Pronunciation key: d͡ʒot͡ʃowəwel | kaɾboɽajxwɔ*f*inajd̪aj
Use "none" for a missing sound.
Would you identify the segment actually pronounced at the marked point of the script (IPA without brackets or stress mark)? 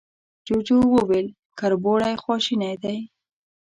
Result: ʃ